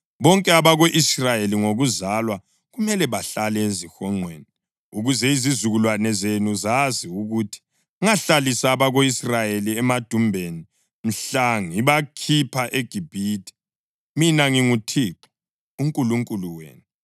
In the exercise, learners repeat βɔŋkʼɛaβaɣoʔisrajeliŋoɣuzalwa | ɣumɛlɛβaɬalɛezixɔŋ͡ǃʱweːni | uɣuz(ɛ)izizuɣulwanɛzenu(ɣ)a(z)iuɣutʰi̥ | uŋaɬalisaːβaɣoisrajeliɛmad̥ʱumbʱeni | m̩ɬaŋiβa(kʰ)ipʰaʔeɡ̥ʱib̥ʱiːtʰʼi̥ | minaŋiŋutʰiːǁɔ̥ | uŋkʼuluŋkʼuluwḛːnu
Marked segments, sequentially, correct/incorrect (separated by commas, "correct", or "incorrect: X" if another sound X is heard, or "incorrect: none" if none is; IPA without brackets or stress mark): correct, incorrect: z, correct, correct